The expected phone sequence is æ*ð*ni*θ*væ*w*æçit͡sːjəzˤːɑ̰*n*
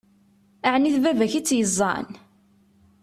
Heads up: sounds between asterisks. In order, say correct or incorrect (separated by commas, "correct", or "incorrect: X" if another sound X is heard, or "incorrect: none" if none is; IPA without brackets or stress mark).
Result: incorrect: ʕ, correct, incorrect: v, correct